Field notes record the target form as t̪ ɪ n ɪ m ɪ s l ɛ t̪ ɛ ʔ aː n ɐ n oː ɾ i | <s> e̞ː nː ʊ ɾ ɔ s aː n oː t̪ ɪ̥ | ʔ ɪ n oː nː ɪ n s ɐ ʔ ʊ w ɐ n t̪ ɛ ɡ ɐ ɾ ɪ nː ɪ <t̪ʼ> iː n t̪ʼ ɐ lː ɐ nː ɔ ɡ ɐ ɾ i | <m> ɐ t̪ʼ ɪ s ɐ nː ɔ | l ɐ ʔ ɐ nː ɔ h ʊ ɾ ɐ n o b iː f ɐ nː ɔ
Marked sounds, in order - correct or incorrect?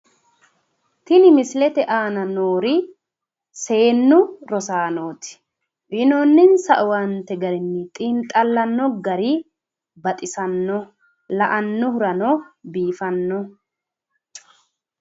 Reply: correct, correct, incorrect

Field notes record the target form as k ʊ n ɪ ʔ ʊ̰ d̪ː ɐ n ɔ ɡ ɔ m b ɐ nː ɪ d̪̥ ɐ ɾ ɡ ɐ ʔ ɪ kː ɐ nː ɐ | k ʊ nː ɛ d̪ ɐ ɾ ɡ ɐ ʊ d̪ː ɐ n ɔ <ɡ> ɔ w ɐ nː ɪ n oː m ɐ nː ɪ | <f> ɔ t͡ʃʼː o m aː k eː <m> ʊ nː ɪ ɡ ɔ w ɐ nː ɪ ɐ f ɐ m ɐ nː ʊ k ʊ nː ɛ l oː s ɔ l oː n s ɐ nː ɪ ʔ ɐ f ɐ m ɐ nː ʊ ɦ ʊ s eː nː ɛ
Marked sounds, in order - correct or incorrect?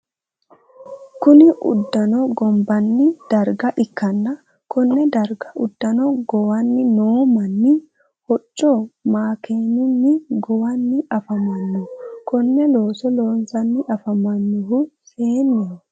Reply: correct, incorrect, incorrect

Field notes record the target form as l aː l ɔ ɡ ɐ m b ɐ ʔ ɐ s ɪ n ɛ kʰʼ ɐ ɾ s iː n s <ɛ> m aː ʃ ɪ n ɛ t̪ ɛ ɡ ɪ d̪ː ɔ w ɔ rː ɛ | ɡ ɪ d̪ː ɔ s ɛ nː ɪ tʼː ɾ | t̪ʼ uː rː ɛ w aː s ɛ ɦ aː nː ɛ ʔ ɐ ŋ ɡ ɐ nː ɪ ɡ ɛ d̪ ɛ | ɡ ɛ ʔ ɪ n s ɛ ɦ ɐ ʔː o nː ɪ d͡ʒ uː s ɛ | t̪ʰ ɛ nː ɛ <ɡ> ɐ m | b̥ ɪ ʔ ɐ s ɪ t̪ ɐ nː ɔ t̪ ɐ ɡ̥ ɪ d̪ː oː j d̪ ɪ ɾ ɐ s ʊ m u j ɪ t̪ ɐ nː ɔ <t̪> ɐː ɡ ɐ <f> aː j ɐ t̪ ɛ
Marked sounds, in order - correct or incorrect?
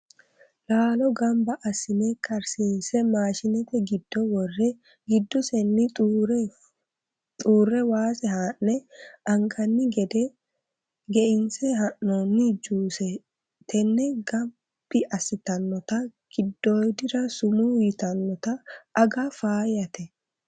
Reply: correct, correct, correct, correct

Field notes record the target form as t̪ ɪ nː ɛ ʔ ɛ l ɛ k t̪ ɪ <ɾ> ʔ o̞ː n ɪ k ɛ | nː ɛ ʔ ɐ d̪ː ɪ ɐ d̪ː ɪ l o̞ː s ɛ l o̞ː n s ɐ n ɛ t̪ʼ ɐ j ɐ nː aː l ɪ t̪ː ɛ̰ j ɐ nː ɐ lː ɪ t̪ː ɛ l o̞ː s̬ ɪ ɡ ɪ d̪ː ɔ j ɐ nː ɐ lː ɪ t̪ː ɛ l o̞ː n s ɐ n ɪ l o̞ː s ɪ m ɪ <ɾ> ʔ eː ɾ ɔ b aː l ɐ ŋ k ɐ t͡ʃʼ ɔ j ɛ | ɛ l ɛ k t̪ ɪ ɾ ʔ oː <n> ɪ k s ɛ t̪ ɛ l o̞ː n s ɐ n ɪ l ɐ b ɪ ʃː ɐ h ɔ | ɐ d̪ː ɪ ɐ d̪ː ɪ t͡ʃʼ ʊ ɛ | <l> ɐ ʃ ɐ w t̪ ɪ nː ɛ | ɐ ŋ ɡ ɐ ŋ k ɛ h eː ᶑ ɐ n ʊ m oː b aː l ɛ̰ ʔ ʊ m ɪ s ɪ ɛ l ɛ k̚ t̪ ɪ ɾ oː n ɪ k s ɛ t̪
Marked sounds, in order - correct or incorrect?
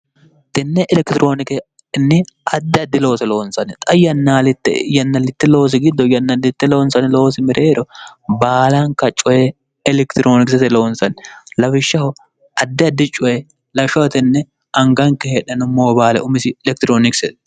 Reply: correct, correct, correct, correct

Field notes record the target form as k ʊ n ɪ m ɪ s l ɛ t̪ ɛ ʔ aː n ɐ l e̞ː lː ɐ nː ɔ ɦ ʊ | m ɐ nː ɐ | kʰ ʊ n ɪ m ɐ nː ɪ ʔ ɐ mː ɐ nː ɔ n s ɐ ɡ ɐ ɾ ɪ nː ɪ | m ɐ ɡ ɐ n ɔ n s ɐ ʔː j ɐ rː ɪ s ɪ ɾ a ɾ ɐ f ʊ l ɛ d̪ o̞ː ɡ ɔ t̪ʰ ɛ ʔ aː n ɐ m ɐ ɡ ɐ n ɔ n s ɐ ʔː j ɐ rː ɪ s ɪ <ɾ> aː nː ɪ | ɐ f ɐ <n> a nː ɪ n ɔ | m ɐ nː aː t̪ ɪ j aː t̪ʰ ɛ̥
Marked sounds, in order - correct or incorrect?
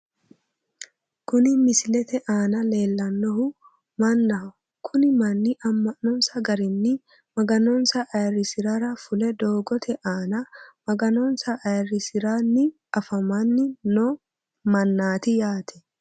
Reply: correct, incorrect

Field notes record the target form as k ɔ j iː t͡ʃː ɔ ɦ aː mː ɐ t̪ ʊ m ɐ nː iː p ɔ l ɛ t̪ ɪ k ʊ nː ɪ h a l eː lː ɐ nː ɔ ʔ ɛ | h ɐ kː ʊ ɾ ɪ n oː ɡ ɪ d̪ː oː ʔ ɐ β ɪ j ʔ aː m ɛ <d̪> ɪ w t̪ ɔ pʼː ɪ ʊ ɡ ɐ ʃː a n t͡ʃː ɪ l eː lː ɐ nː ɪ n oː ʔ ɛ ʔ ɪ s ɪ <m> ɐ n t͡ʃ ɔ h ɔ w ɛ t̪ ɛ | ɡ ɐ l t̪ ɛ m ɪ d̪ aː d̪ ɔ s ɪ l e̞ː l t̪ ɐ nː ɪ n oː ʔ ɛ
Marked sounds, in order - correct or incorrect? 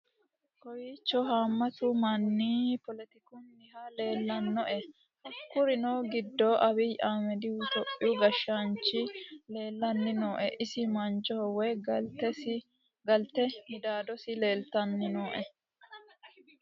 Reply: correct, correct

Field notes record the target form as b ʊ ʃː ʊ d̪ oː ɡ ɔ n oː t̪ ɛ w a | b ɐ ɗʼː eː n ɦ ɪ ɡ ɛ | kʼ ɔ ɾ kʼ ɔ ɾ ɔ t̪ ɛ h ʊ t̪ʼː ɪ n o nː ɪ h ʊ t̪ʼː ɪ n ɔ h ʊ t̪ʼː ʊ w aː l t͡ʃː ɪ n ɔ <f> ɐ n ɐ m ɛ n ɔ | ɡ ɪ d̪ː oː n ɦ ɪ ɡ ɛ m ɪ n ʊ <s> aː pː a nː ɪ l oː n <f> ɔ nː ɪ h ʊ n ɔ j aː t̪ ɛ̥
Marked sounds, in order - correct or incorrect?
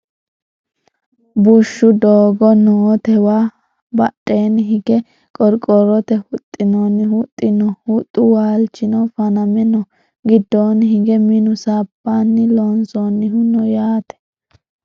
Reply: correct, correct, incorrect

